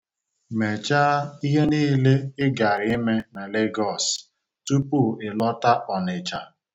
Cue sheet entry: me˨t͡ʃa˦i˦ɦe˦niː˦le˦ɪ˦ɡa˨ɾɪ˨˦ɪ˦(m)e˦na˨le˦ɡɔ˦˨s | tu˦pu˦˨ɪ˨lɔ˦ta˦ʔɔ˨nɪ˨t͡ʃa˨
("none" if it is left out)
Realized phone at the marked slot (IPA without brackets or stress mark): m